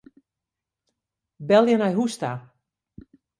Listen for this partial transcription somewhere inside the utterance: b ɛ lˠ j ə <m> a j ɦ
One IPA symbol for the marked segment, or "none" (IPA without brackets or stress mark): n